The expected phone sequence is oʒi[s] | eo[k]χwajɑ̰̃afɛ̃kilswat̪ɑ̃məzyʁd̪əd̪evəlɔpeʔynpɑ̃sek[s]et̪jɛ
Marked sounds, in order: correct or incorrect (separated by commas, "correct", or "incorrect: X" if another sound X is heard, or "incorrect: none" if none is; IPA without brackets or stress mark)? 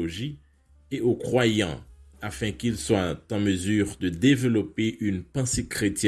incorrect: none, correct, incorrect: χ